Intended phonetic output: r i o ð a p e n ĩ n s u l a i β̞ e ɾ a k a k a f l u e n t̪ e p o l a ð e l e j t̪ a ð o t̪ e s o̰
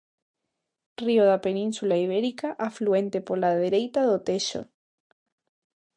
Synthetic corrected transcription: r i o ð a p e n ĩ n s u l a i β̞ e ɾ i k a ʔ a f l u e n t̪ e p o l a ð e ɾ e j t̪ a ð o t̪ e ʃ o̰